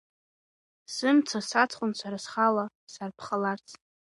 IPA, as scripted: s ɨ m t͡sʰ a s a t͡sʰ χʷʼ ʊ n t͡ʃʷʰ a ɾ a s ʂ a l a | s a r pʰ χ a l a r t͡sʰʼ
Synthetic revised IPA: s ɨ m t͡sʰ a s a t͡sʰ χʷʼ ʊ n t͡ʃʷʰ a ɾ a s χ a l a | s a r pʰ χ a l a r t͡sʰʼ